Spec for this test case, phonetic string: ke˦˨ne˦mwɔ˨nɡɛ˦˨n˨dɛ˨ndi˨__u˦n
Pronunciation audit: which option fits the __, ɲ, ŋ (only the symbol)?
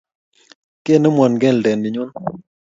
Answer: ɲ